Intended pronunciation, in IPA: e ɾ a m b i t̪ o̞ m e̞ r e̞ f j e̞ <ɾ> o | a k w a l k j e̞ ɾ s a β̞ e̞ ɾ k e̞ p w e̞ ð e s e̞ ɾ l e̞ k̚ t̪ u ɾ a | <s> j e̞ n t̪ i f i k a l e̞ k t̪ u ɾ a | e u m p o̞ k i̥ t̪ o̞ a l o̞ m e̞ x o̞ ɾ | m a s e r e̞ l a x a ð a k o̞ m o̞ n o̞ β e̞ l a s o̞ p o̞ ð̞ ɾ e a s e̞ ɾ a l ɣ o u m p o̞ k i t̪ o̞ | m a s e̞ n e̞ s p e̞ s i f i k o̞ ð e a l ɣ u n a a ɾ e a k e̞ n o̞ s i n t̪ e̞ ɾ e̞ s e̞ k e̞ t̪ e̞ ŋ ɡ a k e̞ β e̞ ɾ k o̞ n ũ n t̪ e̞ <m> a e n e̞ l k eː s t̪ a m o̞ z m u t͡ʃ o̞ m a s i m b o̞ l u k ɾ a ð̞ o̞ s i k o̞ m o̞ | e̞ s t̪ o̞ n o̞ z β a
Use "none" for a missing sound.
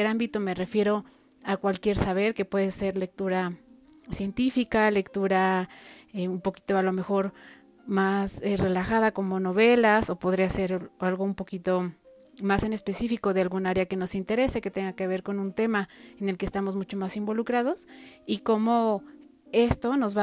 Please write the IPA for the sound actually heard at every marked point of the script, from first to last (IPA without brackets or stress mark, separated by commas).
ɾ, s, m